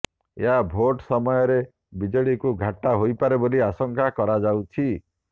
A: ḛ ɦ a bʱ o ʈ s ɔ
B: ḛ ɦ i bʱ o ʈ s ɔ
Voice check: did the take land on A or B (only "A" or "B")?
A